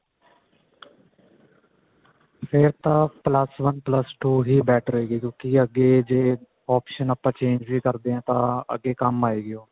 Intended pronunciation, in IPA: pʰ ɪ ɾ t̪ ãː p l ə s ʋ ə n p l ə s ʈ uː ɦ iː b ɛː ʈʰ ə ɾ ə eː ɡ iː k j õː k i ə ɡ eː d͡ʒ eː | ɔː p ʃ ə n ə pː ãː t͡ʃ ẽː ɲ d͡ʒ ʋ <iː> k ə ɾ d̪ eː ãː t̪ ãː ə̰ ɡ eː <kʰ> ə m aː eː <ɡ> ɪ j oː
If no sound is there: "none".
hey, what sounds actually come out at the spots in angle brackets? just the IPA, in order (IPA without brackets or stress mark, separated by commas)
iː, k, ɡ